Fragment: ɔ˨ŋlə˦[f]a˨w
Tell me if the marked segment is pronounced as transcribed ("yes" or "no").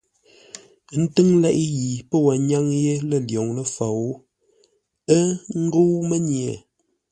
yes